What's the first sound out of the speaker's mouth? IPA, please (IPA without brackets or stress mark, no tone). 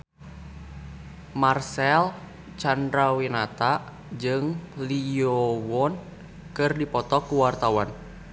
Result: m